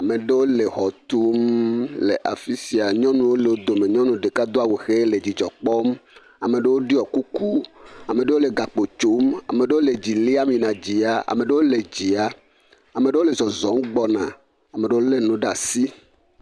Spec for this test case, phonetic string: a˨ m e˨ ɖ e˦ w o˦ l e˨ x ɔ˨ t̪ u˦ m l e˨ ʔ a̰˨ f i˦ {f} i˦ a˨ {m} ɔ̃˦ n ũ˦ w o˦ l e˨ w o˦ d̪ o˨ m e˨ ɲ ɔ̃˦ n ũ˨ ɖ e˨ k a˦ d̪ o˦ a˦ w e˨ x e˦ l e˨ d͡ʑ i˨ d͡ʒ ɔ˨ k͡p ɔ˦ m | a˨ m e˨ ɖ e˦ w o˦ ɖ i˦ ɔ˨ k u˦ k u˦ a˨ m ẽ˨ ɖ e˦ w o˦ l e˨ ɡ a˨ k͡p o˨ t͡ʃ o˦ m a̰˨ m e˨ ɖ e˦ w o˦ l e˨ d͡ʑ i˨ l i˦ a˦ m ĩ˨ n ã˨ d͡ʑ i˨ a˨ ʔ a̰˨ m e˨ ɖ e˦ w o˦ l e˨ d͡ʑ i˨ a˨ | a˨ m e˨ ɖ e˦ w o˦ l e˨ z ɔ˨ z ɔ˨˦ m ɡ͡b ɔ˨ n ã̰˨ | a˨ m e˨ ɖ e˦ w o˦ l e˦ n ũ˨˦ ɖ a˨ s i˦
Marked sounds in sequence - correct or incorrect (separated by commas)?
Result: incorrect, incorrect